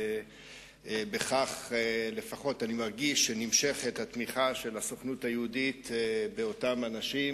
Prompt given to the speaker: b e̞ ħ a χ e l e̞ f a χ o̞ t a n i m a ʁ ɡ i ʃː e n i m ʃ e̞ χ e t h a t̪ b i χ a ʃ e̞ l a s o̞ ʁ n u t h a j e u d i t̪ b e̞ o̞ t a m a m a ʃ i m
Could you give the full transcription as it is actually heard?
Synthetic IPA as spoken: b e̞ χ a χ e l e̞ f a χ o̞ t a n i m a ʁ ɡ i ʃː e n i m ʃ e̞ χ e t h a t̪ m i χ a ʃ e̞ l a s o̞ χ n u t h a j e u d i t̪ b e̞ o̞ t a m a n a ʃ i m